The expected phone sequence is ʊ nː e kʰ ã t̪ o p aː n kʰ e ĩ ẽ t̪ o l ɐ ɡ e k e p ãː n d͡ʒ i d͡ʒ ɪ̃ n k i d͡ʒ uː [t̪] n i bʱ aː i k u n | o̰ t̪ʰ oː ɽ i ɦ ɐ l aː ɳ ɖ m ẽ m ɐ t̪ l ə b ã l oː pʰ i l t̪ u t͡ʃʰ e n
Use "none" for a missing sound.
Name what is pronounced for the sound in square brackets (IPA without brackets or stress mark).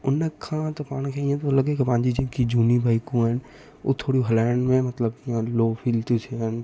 none